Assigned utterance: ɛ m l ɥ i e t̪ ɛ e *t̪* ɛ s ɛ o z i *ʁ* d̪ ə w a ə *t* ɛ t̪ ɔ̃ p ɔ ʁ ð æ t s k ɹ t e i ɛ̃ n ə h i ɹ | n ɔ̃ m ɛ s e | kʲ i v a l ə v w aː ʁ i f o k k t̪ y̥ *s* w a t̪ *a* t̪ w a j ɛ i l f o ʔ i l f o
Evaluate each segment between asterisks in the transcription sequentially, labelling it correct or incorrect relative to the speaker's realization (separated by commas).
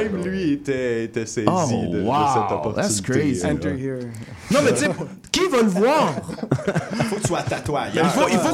correct, incorrect, incorrect, correct, correct